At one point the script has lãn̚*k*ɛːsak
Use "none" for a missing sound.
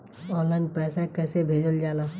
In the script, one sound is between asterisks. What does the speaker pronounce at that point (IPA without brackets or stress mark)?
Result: p